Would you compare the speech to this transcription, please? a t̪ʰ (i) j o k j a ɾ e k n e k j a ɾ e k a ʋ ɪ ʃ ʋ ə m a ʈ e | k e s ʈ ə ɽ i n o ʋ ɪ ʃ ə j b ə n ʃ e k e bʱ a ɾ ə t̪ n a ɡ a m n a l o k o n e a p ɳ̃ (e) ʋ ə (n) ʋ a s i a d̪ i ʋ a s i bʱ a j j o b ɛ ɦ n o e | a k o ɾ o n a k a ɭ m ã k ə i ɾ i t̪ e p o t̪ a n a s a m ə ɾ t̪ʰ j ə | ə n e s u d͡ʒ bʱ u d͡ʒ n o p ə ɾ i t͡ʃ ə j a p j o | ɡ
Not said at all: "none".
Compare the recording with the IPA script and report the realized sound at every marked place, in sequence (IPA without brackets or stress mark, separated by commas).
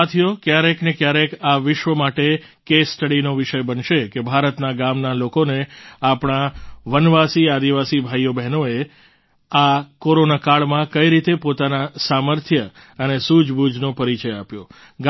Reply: i, a, n